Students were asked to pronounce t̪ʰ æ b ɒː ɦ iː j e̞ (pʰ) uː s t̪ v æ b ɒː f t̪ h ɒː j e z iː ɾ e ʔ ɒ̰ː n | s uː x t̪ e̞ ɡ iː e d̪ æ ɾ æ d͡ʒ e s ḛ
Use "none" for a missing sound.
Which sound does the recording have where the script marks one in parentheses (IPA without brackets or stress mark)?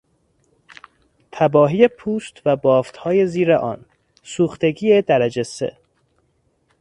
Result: pʰ